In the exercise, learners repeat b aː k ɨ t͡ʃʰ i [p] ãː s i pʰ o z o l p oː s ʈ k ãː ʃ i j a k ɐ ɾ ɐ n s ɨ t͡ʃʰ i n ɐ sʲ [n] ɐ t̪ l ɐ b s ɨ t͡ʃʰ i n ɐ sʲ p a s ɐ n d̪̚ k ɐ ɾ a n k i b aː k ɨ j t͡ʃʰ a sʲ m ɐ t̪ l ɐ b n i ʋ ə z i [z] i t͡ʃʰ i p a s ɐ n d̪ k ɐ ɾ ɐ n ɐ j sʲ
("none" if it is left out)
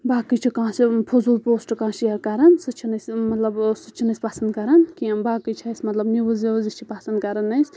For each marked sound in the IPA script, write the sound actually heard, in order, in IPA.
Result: k, m, z

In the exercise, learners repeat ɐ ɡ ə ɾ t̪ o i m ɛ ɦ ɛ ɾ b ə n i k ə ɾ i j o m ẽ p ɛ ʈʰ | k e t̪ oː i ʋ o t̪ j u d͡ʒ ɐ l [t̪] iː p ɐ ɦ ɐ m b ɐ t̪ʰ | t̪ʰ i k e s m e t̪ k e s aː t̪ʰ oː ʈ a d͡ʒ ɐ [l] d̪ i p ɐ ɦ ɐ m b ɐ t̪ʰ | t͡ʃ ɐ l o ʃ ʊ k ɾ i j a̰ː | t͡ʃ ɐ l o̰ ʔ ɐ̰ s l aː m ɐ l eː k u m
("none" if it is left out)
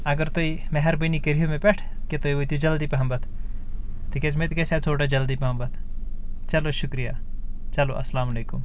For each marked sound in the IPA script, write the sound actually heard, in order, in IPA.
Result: d̪, l

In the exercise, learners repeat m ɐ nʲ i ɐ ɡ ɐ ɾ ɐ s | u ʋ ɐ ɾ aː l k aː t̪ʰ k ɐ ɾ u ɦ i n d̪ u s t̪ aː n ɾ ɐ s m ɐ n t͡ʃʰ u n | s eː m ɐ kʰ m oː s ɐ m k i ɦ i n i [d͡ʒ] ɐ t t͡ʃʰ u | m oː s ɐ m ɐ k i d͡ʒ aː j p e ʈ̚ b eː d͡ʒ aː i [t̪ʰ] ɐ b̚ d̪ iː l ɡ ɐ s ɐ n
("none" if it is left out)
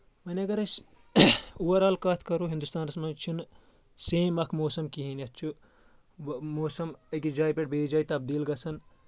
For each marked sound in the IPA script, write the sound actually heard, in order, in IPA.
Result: none, t̪

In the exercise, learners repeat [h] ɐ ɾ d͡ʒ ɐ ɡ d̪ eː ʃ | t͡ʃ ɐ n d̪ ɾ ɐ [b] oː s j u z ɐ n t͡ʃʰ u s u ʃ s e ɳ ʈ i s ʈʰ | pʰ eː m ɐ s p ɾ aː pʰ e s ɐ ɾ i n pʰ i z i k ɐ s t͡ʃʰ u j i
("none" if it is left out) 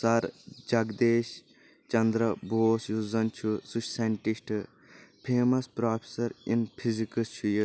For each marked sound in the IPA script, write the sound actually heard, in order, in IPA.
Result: s, b

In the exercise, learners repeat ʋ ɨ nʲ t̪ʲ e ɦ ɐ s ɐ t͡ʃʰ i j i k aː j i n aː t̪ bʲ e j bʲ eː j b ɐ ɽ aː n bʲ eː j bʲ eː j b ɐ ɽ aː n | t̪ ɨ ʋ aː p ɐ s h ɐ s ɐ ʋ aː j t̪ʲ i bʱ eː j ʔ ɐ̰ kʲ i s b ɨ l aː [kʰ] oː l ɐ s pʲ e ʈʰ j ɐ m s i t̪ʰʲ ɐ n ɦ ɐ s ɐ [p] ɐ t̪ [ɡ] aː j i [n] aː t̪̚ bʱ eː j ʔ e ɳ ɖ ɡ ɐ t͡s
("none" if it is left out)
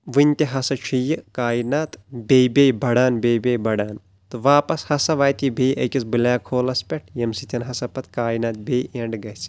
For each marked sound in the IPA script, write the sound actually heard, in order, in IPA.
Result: kʰ, p, k, n

